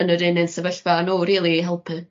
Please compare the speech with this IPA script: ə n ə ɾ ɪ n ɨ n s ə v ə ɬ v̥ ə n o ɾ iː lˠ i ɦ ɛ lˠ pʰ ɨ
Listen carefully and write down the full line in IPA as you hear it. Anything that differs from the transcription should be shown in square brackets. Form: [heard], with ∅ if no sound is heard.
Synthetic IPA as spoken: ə n ə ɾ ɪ n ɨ n s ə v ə ɬ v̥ [a] n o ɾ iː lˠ i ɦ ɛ lˠ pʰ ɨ